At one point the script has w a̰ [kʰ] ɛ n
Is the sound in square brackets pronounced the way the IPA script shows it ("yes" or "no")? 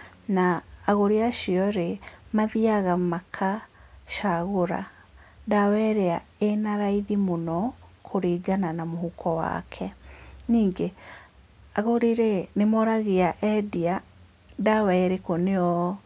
yes